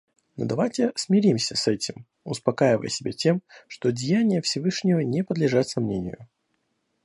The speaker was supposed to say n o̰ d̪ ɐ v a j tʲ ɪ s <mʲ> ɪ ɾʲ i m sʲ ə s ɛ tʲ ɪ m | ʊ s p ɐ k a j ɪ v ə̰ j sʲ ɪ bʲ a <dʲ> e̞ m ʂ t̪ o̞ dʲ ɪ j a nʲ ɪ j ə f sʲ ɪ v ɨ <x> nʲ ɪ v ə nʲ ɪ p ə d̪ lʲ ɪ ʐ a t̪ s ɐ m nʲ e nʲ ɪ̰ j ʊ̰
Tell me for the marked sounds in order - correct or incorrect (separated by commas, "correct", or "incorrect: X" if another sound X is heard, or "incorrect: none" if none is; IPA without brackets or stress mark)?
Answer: correct, incorrect: tʲ, incorrect: ʂ